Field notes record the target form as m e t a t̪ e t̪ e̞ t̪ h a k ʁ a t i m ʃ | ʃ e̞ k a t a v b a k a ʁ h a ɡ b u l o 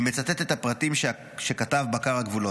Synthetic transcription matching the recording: m e t͡s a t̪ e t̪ e̞ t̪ h a p ʁ a t i m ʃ | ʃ e̞ k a t a v b a k a ʁ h a ɡ v u l o